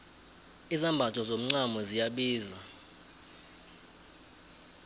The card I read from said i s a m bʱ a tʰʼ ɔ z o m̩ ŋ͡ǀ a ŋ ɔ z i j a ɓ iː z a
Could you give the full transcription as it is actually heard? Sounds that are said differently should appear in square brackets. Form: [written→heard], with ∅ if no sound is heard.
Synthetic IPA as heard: i [s→z] a m bʱ a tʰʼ ɔ z o m̩ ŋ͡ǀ a [ŋ→m] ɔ z i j a ɓ iː z a